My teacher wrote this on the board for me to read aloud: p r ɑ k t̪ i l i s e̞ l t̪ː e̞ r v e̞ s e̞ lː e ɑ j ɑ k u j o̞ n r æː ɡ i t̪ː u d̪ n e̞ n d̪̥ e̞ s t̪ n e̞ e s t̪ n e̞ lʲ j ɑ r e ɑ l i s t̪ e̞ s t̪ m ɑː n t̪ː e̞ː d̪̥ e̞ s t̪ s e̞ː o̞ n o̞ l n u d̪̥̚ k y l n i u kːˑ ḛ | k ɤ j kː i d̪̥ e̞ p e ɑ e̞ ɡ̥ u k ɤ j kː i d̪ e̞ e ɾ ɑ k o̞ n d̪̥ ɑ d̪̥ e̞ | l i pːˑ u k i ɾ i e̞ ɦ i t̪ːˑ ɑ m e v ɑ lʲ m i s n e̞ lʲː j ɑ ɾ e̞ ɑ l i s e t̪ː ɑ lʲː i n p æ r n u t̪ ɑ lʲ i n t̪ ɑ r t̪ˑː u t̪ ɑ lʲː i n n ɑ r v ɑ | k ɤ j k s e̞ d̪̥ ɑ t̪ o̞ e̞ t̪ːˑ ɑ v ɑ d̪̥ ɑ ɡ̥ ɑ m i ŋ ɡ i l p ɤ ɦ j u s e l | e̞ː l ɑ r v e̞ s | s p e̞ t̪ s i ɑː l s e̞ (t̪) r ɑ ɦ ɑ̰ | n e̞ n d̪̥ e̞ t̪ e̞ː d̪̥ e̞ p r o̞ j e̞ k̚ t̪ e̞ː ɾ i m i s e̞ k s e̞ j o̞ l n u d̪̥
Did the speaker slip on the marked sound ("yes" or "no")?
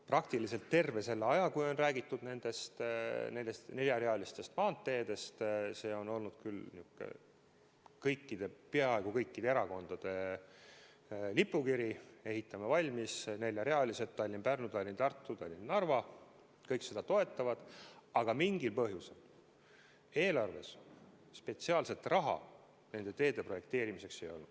no